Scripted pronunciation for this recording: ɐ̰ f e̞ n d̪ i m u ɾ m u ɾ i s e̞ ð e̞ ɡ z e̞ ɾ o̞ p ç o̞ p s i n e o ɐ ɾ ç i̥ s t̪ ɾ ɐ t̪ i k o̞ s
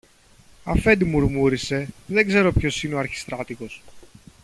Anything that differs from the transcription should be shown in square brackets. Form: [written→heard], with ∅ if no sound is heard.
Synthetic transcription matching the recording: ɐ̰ f e̞ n d̪ i m u ɾ m u ɾ i s e̞ ð e̞ ɡ z e̞ ɾ o̞ p ç o̞ [p→∅] s i n e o ɐ ɾ ç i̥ s t̪ ɾ ɐ t̪ i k o̞ s